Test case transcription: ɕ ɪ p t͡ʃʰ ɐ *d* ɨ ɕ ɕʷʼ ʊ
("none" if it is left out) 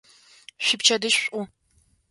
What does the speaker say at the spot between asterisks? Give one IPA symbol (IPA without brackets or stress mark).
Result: d